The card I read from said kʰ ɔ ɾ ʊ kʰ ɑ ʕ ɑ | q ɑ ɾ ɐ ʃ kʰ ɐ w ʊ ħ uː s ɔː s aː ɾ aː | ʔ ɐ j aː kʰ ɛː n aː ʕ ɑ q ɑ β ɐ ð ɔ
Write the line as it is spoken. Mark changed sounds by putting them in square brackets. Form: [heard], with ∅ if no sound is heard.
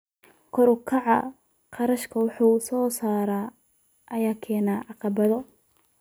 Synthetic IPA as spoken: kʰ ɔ ɾ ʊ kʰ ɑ ʕ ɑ | q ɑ ɾ ɐ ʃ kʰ ɐ w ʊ ħ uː s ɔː s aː ɾ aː | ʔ ɐ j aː kʰ ɛː n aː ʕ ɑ q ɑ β ɐ ð ɔ